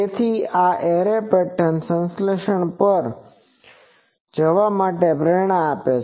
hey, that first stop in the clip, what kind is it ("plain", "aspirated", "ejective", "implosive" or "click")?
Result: aspirated